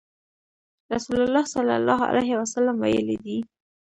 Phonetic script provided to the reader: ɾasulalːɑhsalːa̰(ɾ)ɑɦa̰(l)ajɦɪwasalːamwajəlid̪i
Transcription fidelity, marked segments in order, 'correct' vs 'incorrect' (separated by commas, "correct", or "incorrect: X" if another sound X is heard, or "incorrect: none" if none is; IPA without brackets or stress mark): incorrect: l, correct